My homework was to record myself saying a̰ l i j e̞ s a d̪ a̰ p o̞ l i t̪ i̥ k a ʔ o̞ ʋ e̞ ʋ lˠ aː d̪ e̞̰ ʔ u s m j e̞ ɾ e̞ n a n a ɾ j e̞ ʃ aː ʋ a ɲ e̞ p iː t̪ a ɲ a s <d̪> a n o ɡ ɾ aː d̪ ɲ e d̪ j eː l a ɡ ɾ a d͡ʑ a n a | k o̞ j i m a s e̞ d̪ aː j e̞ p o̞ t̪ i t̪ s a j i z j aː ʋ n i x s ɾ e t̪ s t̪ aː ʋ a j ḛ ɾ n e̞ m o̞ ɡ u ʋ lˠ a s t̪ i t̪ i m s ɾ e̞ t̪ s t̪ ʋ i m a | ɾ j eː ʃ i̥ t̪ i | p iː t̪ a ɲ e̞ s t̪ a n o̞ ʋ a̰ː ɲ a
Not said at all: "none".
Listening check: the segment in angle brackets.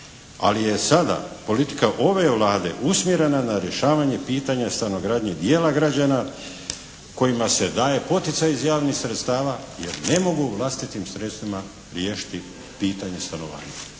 t̪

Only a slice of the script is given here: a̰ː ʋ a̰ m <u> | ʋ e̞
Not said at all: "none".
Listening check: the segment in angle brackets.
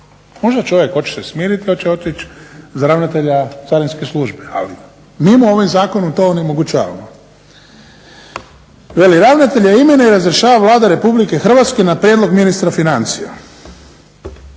o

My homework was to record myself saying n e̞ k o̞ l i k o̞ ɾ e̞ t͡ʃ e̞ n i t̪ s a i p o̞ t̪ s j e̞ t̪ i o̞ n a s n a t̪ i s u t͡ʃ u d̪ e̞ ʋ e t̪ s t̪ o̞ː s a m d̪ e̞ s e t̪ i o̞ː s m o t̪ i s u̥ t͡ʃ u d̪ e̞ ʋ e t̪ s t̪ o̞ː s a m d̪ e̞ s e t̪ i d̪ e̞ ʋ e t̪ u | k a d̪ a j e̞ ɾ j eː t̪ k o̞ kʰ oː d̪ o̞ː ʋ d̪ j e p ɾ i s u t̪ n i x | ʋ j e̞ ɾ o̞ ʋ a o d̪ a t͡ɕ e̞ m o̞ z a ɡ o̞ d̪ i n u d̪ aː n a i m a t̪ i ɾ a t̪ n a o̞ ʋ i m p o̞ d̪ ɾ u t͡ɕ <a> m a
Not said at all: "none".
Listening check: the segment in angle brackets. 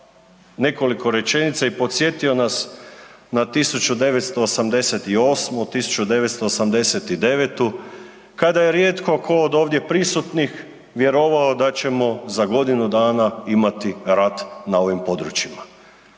i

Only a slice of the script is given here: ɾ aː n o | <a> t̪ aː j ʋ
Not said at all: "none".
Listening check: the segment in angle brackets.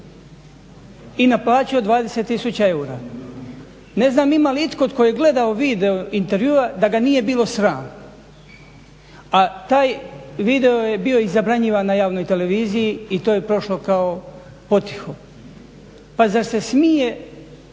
a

